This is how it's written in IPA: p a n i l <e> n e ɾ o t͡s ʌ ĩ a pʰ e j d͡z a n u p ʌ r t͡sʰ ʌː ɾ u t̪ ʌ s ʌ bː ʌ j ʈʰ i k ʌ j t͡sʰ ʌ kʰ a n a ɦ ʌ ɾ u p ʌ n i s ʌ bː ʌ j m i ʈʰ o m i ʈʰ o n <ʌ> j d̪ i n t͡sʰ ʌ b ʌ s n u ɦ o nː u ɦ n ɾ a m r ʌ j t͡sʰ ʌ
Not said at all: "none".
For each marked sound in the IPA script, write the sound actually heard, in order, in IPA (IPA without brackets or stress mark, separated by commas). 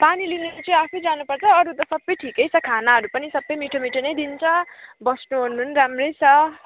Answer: i, ʌ